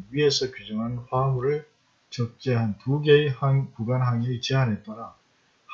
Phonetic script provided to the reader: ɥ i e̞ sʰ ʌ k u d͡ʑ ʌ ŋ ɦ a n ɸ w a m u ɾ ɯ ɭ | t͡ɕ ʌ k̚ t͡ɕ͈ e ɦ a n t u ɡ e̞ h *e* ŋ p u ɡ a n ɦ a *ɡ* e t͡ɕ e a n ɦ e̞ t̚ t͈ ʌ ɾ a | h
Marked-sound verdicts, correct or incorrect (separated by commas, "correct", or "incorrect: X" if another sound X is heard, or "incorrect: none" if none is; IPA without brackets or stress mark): incorrect: a, incorrect: ŋ